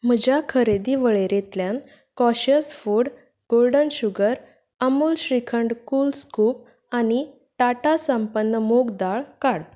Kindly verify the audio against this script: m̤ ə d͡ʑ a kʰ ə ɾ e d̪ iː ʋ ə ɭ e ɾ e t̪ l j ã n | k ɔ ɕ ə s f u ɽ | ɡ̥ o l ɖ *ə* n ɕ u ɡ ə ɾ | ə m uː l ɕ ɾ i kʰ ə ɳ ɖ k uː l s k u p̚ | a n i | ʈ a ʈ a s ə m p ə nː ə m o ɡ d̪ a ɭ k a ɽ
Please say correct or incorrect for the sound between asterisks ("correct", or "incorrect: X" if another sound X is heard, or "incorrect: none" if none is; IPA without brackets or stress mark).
correct